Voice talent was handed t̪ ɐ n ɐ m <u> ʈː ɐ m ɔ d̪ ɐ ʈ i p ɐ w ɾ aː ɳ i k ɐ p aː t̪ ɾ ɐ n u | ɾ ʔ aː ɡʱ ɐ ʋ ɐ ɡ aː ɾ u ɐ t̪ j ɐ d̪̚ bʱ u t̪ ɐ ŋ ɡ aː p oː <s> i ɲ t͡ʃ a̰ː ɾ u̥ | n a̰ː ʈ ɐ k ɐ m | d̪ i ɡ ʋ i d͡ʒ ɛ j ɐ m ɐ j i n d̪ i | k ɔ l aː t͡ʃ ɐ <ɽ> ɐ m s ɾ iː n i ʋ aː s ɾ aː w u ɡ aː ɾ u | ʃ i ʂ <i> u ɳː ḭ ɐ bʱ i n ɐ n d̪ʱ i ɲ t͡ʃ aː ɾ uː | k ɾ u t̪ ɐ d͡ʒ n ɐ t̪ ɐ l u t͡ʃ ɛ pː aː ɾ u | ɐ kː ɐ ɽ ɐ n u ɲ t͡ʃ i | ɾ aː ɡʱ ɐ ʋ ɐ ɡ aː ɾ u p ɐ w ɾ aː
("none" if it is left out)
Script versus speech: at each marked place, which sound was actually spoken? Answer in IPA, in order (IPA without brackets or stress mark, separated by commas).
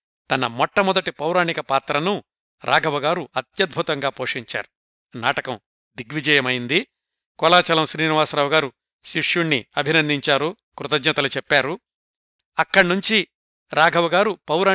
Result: ɔ, ʂ, l, j